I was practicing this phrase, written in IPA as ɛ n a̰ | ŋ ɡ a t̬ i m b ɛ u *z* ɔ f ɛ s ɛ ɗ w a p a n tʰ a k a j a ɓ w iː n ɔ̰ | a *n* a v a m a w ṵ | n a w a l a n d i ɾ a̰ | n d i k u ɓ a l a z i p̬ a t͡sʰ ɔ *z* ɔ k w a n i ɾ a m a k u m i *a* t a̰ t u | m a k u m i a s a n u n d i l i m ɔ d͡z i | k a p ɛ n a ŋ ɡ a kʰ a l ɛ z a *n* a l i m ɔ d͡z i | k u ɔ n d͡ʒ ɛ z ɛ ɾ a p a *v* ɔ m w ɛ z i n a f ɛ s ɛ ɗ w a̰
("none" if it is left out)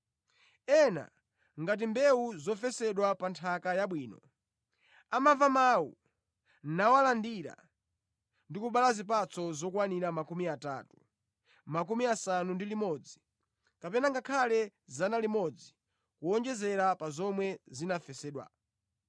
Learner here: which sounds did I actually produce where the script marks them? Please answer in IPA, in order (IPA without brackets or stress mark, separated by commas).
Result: z, m, z, a, n, z